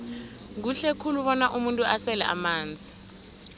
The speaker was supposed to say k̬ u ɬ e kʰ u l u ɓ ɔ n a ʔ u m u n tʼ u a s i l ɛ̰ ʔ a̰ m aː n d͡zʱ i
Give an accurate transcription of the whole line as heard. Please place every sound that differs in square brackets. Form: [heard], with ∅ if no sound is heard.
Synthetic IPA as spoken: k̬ u ɬ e kʰ u l u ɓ ɔ n a ʔ u m u n tʼ u a s [ɛ] l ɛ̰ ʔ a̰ m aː n d͡zʱ i